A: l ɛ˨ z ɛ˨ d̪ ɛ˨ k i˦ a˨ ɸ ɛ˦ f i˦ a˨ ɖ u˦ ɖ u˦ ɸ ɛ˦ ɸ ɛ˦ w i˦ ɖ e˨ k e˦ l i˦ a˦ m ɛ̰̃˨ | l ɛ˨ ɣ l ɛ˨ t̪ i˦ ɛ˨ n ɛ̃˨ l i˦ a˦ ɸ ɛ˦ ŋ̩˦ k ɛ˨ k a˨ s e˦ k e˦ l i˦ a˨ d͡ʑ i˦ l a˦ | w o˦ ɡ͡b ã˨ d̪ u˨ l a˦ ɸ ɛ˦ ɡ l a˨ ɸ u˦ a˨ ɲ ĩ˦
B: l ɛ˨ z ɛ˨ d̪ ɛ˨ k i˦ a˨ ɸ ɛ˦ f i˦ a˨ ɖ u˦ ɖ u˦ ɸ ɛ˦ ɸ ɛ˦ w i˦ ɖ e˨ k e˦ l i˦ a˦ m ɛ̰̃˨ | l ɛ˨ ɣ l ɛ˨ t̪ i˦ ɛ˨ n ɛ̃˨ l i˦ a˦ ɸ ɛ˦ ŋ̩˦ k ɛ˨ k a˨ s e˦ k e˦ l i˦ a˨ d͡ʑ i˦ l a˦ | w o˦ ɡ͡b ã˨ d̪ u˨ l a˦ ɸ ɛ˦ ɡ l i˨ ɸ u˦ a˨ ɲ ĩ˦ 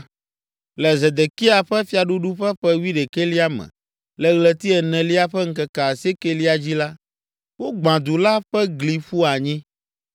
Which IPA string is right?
B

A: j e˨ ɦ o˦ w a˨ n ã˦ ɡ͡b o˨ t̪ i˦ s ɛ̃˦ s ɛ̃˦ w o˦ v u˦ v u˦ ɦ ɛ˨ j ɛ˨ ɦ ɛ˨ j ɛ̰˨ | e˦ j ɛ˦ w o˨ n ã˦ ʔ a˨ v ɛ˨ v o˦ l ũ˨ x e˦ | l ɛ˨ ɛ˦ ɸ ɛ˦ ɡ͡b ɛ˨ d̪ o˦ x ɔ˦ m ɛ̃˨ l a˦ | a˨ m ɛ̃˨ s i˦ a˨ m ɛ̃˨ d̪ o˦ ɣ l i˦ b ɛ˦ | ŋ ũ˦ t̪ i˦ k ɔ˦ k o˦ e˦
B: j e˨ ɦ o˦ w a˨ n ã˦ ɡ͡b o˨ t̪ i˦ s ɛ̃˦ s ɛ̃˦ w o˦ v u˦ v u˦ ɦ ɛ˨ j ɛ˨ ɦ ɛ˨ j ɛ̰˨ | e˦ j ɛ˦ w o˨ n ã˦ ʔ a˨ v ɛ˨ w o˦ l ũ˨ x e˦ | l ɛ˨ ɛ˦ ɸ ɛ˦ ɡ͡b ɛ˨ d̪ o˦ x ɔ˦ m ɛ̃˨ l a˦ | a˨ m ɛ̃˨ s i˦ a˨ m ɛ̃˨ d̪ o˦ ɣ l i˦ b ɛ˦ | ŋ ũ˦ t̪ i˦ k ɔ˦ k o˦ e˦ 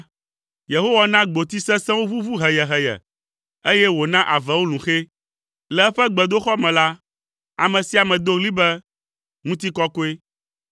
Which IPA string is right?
B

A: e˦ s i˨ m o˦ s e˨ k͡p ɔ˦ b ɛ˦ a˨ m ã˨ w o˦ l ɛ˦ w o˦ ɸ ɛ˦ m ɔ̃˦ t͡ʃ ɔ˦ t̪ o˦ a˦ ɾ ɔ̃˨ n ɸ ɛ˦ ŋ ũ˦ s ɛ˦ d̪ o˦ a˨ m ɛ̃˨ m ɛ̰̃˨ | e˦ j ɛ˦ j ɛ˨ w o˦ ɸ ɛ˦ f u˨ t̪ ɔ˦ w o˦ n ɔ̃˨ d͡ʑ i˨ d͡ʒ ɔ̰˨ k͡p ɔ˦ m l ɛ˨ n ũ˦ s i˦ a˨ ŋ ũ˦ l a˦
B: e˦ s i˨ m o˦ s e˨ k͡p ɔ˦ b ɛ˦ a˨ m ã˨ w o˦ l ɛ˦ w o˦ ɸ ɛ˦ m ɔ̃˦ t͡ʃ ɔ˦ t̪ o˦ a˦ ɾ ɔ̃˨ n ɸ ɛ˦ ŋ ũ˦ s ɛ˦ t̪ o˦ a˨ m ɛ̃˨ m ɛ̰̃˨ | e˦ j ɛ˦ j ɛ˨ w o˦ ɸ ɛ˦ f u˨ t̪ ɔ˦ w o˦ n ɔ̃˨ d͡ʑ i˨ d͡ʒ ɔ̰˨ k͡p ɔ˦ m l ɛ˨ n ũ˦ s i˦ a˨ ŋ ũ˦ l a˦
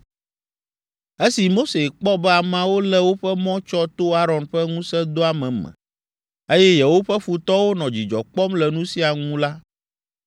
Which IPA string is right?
A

